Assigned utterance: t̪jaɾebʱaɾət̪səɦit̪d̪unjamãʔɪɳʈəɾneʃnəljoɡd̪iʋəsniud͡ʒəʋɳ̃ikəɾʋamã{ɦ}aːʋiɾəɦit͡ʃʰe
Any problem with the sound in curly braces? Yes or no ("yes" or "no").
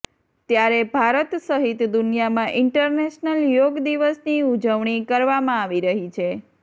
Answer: yes